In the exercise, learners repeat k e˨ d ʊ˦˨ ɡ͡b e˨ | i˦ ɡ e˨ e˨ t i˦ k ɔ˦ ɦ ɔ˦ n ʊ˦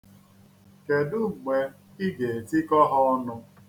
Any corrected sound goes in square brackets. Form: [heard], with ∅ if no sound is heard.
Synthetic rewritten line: k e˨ d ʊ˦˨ ɡ͡b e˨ | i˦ ɡ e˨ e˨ t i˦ k ɔ˦ ɦ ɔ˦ n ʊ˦

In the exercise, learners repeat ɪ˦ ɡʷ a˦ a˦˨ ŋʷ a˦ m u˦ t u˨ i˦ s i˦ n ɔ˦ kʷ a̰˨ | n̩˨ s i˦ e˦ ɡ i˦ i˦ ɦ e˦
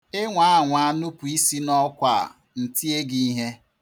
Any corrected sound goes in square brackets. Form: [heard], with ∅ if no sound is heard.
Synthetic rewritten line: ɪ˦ [ŋʷ] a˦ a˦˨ ŋʷ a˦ [n] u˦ [p] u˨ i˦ s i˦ n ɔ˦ kʷ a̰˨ | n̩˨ [t] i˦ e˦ ɡ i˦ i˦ ɦ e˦

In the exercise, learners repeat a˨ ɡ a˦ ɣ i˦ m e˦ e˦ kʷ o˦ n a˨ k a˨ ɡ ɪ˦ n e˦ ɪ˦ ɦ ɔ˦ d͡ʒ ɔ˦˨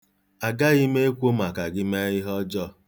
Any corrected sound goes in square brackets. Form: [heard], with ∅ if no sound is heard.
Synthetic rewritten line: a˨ ɡ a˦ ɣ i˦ m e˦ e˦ kʷ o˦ [m] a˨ k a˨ ɡ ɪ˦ [m] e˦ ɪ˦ ɦ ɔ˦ d͡ʒ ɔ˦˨

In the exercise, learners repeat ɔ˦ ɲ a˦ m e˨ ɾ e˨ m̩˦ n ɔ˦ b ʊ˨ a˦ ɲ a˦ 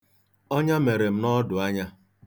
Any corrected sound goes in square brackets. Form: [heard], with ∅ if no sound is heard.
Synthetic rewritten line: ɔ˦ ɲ a˦ m e˨ ɾ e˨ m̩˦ n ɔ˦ [d] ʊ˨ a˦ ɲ a˦

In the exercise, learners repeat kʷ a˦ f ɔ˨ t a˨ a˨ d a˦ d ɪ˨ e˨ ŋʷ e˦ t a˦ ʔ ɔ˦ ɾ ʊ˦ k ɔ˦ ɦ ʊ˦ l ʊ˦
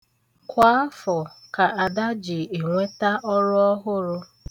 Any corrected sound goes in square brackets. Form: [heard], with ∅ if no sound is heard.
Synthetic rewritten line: kʷ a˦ f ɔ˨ [k] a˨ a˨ d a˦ [d͡ʒ] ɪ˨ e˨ ŋʷ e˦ t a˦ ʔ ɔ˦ ɾ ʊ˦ [∅] ɔ˦ ɦ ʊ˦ [ɾ] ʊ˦

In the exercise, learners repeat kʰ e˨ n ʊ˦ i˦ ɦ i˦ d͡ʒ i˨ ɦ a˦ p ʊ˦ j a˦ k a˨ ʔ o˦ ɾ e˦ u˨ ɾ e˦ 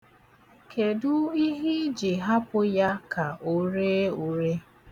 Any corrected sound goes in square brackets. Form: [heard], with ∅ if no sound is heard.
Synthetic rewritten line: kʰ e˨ [d] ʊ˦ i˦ ɦ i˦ d͡ʒ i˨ ɦ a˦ p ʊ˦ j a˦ k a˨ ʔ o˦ ɾ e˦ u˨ ɾ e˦

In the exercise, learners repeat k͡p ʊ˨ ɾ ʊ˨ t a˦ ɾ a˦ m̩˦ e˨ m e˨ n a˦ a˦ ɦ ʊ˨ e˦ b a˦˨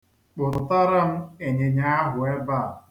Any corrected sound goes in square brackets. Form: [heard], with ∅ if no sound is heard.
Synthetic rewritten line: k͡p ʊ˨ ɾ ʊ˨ t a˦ ɾ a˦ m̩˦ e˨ [ɲ] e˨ [ɲ] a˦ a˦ ɦ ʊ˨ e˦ b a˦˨

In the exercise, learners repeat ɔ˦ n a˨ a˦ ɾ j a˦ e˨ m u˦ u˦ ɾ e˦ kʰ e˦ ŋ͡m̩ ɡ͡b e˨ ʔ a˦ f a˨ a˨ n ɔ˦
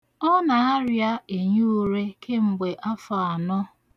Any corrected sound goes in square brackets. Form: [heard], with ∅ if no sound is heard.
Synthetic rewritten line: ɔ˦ n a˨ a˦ ɾ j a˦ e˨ [ɲ] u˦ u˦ ɾ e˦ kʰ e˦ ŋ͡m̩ ɡ͡b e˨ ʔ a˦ f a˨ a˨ n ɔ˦

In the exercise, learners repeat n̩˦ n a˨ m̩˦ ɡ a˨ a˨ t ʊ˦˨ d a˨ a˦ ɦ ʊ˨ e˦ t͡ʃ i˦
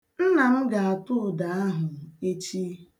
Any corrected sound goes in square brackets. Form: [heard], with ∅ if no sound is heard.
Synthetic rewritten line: n̩˦ n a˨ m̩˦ ɡ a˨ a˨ t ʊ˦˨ d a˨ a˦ ɦ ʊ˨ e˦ t͡ʃ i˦

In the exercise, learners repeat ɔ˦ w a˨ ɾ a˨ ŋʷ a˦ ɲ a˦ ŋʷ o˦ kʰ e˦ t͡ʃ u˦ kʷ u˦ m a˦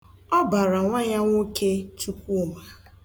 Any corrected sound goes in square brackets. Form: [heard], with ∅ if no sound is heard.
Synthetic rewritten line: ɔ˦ [b] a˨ ɾ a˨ ŋʷ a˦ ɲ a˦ ŋʷ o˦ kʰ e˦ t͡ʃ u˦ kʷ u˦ m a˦

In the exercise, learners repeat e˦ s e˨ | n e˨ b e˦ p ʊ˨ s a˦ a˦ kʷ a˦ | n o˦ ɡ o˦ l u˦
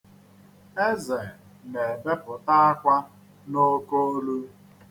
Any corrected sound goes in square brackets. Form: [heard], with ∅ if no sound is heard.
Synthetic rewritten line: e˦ [z] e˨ | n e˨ b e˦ p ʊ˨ [t] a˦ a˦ kʷ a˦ | n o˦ [k] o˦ l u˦

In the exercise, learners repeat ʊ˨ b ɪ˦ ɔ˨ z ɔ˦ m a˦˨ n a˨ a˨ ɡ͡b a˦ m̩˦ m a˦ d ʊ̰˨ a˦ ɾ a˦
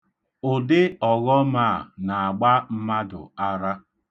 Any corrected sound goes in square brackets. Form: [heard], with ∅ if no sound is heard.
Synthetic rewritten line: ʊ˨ [d] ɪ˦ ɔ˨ [ɣ] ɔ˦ m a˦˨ n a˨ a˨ ɡ͡b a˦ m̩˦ m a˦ d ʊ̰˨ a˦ ɾ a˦

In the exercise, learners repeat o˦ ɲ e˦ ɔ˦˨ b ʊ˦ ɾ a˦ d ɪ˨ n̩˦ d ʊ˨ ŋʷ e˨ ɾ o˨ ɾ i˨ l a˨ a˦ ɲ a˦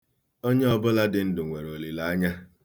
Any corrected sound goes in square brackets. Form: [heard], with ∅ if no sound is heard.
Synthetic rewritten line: o˦ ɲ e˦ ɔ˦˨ b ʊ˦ [l] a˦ d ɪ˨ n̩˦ d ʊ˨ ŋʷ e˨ ɾ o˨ [l] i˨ l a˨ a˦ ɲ a˦

